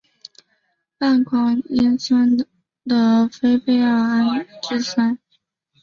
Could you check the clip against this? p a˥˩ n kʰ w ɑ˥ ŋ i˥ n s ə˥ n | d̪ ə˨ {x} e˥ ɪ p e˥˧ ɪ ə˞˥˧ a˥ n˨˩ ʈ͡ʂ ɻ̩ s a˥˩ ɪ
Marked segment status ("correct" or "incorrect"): incorrect